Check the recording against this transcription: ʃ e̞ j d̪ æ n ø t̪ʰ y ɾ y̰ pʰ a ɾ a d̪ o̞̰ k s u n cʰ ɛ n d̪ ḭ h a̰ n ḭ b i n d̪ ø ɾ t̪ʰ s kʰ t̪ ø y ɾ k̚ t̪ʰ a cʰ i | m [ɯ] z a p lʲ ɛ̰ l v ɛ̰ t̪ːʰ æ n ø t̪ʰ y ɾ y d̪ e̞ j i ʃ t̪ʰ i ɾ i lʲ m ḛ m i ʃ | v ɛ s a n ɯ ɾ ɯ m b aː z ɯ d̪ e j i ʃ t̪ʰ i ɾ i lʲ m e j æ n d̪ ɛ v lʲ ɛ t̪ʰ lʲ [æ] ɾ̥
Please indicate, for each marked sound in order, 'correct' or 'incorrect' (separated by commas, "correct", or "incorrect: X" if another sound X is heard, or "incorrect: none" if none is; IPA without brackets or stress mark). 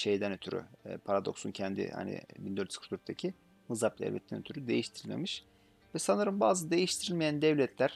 correct, correct